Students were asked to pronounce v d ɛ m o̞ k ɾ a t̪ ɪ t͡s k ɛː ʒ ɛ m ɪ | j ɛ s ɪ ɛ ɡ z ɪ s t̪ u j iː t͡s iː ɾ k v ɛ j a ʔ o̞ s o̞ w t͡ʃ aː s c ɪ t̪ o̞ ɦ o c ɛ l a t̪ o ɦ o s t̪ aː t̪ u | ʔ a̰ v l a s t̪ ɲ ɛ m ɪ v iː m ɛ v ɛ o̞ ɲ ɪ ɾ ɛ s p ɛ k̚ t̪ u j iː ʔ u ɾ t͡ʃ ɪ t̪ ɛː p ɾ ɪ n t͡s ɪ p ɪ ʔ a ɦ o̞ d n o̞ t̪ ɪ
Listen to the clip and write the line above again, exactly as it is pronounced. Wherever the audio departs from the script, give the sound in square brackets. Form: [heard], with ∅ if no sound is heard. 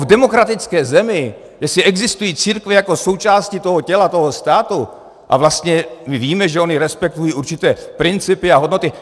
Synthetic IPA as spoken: v d ɛ m o̞ k ɾ a t̪ ɪ t͡s k ɛː [z] ɛ m ɪ | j ɛ s ɪ ɛ ɡ z ɪ s t̪ u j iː t͡s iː ɾ k v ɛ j a [k] o̞ s o̞ w t͡ʃ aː s c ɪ t̪ o̞ ɦ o c ɛ l a t̪ o ɦ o s t̪ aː t̪ u | ʔ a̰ v l a s t̪ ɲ ɛ m ɪ v iː m ɛ [ʒ] ɛ o̞ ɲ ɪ ɾ ɛ s p ɛ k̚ t̪ u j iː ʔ u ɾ t͡ʃ ɪ t̪ ɛː p ɾ ɪ n t͡s ɪ p ɪ [∅] a ɦ o̞ d n o̞ t̪ ɪ

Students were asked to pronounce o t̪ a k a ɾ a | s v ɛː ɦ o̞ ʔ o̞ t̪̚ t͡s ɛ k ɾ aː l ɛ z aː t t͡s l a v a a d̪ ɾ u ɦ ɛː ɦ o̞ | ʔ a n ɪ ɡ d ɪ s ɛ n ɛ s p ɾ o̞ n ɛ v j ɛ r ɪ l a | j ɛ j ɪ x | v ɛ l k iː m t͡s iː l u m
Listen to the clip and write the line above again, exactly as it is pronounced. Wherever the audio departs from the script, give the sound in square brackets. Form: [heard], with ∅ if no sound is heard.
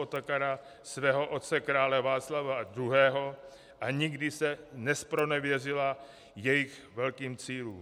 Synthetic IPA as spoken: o t̪ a k a ɾ a | s v ɛː ɦ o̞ ʔ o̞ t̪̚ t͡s ɛ k ɾ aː l ɛ [v] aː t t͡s l a v a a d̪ ɾ u ɦ ɛː ɦ o̞ | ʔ a [ɲ] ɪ ɡ d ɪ s ɛ n ɛ s p ɾ o̞ n ɛ v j ɛ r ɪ l a | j ɛ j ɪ x | v ɛ l k iː m t͡s iː l [uː] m

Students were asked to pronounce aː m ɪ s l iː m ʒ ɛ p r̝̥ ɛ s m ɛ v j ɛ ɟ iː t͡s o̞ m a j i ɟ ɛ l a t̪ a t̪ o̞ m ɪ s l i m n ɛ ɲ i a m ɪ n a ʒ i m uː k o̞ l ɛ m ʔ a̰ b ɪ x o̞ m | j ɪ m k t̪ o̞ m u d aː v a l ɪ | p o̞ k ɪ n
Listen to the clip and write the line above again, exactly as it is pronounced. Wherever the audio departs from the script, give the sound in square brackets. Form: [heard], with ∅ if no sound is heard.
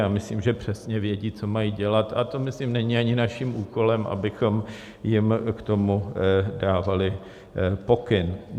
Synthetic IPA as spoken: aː m ɪ s l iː m ʒ ɛ p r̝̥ ɛ s [ɲ] ɛ v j ɛ ɟ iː t͡s o̞ m a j i ɟ ɛ l a t̪ a t̪ o̞ m ɪ s l i m n ɛ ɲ i a [ɲ] ɪ n a [ʃ] i m uː k o̞ l ɛ m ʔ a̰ b ɪ x o̞ m | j ɪ m k t̪ o̞ m u d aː v a l ɪ | p o̞ k ɪ n

